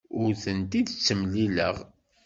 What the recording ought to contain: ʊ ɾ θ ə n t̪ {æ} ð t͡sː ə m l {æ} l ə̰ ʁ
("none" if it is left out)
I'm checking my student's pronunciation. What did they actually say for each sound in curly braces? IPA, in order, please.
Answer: i, i

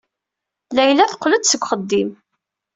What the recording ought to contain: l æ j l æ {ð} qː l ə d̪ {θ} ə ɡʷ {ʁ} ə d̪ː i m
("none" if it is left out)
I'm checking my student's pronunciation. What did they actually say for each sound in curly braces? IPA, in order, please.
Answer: θ, s, χ

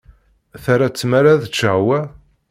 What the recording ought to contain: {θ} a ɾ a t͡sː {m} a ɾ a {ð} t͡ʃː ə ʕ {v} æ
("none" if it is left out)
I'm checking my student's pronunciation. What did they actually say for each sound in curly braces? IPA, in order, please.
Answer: θ, m, ð, w

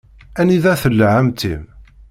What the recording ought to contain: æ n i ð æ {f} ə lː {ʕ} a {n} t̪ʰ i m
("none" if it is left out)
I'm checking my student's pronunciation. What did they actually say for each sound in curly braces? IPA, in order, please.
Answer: θ, ʕ, m

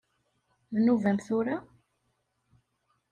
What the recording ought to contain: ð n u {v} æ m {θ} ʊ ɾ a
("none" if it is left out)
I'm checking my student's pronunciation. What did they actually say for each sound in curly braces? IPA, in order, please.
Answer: v, θ

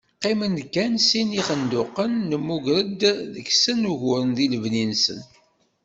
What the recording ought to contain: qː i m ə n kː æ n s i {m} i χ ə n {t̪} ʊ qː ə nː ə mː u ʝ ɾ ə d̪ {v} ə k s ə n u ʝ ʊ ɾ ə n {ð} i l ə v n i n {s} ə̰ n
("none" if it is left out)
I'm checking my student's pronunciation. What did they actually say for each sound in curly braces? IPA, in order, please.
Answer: n, d̪, ð, ð, s

